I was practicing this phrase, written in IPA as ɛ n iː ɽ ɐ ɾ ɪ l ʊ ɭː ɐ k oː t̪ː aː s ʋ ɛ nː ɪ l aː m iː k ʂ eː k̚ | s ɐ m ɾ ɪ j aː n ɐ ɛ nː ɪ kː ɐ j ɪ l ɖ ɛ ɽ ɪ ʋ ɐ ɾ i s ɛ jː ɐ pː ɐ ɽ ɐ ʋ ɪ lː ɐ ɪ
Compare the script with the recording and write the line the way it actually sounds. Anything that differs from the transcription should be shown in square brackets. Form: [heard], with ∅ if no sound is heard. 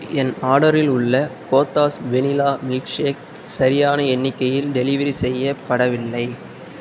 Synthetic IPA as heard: ɛ n [aː] ɽ ɐ ɾ ɪ l ʊ ɭː ɐ k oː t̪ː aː s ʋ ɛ [n] ɪ l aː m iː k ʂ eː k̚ | s ɐ [∅] ɾ ɪ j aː n ɐ ɛ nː ɪ kː ɐ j ɪ l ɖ ɛ [l] ɪ ʋ ɐ ɾ i s ɛ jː ɐ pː ɐ ɽ ɐ ʋ ɪ lː ɐ ɪ